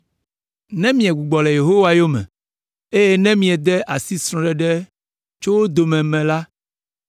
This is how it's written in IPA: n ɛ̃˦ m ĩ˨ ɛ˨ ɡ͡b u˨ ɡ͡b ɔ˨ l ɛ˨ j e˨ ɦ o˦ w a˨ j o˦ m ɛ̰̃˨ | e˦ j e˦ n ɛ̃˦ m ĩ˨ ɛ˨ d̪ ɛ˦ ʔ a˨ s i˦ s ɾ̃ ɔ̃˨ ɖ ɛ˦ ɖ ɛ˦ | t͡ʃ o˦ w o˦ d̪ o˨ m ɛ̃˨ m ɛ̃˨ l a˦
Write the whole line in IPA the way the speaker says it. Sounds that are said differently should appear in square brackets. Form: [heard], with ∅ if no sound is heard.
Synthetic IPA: n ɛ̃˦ m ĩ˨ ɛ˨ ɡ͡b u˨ ɡ͡b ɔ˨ l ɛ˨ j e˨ ɦ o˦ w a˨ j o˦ m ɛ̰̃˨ | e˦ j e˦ n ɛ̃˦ m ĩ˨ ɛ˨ d̪ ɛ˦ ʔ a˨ s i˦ s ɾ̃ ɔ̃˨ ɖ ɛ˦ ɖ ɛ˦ | t͡ʃ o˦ w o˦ d̪ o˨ m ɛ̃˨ m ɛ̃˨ l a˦